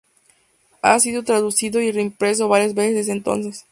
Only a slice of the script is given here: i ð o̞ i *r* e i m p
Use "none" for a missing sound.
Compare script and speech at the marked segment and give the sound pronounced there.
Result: r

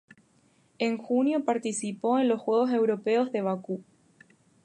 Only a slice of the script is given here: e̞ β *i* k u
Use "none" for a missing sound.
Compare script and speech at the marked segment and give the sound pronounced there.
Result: a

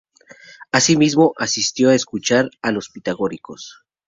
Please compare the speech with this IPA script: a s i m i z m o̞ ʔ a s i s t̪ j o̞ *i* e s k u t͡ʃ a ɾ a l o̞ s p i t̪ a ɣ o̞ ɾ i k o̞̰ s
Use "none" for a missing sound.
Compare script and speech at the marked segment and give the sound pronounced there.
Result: a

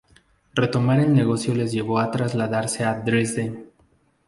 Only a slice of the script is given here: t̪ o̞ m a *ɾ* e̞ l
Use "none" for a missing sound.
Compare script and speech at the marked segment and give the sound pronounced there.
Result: ɾ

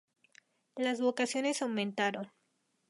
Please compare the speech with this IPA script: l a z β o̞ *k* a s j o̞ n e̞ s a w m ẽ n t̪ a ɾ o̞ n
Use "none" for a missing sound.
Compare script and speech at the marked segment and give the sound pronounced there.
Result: k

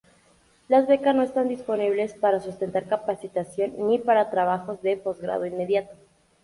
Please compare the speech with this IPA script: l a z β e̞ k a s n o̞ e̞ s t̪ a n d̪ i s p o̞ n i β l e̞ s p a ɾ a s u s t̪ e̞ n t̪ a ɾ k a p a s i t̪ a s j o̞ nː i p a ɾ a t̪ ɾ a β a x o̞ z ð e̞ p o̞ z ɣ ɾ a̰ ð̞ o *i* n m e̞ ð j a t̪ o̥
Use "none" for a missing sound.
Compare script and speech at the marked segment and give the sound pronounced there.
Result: i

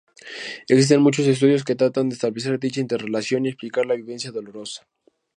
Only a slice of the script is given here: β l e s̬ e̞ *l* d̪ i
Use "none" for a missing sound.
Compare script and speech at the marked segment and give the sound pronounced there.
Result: ɾ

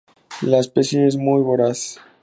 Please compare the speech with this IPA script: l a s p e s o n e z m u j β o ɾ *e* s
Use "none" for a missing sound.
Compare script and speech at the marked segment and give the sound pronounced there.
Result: a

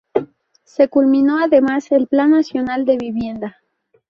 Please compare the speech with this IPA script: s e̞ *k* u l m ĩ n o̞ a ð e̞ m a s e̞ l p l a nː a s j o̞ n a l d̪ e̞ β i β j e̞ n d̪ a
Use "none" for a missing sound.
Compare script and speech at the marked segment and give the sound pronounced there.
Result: k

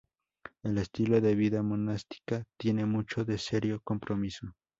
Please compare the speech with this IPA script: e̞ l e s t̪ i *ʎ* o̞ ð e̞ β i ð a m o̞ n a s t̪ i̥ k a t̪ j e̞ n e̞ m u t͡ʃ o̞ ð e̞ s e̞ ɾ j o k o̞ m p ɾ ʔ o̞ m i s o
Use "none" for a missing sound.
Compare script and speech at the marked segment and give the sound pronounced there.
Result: l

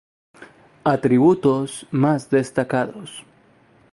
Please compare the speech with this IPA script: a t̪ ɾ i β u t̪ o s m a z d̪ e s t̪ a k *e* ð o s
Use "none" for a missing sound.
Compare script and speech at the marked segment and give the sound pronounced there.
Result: a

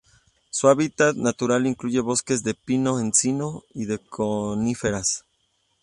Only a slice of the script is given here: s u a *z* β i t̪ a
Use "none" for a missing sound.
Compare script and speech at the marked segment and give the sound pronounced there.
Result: none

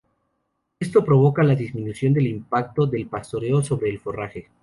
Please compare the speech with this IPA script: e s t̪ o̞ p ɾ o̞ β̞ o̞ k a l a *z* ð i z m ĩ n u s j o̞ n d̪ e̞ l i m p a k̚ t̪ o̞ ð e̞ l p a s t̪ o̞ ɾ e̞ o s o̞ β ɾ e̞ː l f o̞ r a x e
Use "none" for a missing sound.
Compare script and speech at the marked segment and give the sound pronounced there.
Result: none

